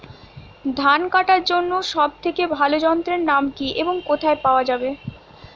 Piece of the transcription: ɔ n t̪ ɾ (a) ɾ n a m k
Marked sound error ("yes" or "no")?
yes